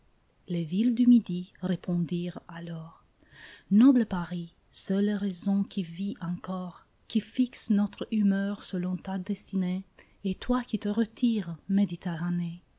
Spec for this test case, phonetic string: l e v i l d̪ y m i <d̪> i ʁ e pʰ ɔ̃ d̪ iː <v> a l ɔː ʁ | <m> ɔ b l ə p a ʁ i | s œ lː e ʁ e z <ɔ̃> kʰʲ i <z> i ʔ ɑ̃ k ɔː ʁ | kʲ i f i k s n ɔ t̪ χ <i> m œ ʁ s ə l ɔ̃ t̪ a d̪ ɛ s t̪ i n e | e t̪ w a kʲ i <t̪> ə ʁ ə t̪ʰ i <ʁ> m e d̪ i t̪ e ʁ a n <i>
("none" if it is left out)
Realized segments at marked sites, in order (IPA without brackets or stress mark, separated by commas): d̪, ʁ, n, ɔ̃, v, y, t̪, ʁ, e